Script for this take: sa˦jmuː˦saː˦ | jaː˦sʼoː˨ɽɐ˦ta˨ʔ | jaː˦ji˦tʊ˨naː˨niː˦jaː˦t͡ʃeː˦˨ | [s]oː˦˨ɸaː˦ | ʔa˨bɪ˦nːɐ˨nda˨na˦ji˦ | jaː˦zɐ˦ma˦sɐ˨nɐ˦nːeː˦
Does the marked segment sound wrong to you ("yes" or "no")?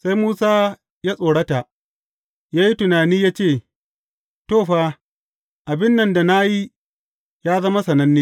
yes